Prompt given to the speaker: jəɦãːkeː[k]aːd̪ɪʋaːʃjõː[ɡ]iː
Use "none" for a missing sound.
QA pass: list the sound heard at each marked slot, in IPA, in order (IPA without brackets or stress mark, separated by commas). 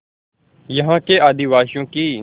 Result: none, k